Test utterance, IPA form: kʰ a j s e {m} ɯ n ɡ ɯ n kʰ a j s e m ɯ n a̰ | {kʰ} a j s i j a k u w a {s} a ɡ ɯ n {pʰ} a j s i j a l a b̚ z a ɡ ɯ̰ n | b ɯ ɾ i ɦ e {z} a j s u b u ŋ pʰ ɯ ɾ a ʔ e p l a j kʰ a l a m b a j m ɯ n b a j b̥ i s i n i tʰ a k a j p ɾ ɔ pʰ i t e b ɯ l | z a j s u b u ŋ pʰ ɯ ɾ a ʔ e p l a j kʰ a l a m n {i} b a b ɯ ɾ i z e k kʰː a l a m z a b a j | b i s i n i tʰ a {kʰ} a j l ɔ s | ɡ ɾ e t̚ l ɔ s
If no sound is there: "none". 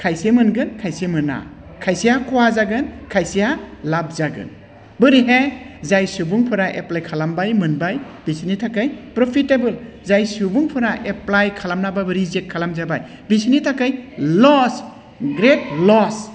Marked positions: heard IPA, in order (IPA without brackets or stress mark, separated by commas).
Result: m, kʰ, z, kʰ, z, a, k